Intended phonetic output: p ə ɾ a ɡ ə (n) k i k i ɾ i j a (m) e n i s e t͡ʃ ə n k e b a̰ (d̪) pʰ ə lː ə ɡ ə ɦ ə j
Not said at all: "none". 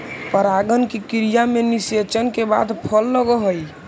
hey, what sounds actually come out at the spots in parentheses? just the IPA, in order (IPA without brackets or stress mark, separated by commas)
n, m, d̪